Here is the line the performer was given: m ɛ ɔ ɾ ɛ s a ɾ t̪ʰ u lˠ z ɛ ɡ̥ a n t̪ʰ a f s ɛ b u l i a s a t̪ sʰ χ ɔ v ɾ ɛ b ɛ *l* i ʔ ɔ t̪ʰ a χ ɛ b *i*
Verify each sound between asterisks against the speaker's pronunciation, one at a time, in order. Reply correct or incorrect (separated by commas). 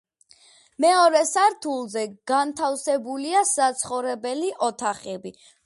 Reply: correct, correct